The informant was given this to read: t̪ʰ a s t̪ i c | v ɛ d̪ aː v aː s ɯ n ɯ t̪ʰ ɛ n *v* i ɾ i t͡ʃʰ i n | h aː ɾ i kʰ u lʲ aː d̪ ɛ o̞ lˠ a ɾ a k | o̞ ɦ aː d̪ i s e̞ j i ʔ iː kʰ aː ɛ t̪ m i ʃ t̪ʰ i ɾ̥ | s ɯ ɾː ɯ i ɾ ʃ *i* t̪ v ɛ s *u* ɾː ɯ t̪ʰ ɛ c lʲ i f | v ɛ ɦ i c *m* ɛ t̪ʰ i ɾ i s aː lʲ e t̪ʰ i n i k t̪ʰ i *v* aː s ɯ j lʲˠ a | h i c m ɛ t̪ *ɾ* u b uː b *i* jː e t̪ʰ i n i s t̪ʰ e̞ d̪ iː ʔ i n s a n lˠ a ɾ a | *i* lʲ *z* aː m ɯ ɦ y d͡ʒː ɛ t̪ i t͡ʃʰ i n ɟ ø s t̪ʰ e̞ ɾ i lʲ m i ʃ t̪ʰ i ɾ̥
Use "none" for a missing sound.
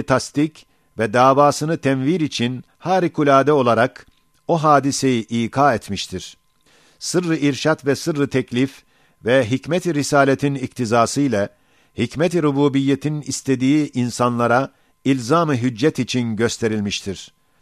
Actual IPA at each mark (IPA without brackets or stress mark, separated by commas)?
v, a, ɯ, m, z, ɾ, i, i, z